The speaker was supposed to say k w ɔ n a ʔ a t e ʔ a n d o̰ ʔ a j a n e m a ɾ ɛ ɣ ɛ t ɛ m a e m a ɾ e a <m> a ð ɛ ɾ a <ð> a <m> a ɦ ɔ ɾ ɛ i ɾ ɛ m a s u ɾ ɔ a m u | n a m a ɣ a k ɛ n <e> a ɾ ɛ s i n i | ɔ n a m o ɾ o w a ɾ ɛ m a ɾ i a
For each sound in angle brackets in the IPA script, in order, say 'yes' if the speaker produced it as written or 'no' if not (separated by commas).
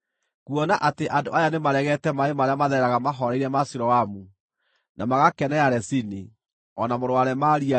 yes, no, yes, no